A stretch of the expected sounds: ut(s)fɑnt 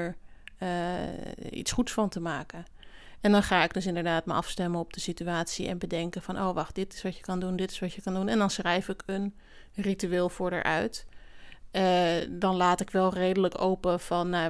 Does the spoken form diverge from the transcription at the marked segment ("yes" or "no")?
no